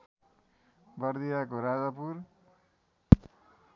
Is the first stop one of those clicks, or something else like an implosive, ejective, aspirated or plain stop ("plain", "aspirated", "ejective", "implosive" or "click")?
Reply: plain